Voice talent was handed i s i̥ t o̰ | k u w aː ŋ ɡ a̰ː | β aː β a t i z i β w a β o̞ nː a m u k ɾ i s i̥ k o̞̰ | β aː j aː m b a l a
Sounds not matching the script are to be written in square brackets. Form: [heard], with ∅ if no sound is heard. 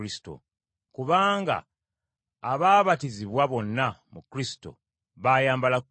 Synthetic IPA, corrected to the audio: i s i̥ t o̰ | k u [β] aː ŋ ɡ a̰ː | β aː β a t i z i β w a β o̞ nː a m u k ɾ i s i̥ [t] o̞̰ | β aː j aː m b a l a